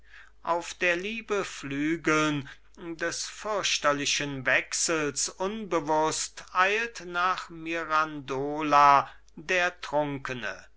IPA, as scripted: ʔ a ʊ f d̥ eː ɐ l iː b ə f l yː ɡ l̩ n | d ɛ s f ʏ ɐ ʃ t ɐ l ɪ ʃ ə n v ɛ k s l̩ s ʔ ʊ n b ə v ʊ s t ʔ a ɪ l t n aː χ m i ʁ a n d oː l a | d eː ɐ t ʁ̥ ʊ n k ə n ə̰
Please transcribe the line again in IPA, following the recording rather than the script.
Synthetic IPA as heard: ʔ a ʊ f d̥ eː ɐ l iː b ə f l yː ɡ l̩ n | d ɛ s f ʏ ɐ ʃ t ɐ l ɪ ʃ ə n v ɛ k s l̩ s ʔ ʊ n b ə v ʊ s t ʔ a ɪ l t n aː χ m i ʁ a n d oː l a | d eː ɐ t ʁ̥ ʊ ŋ k ə n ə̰